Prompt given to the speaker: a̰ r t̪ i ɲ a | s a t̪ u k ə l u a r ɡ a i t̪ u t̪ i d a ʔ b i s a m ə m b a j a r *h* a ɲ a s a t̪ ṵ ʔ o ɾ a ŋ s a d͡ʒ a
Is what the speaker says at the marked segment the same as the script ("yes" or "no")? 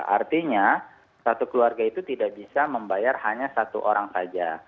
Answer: yes